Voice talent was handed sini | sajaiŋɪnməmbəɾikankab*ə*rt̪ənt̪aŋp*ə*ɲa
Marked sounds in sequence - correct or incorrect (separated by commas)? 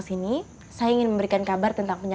incorrect, correct